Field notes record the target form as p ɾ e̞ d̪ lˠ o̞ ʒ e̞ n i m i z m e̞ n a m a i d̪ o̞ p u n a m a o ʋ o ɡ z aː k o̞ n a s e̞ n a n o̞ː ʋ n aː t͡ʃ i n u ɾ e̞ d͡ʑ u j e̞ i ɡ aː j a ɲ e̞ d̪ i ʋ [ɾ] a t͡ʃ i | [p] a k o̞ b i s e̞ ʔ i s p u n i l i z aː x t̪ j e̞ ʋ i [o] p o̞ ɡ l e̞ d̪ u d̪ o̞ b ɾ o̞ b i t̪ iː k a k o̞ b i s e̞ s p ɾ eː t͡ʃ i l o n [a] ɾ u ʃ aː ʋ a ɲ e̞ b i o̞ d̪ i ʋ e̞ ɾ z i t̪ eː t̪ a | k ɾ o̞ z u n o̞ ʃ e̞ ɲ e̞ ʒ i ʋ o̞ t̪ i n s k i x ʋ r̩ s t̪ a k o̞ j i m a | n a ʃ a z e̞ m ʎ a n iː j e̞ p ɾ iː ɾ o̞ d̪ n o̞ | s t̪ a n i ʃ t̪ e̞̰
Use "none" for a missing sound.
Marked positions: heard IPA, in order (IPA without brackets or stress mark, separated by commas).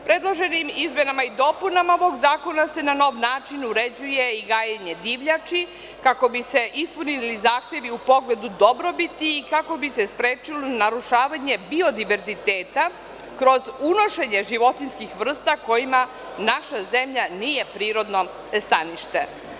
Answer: ʎ, k, u, a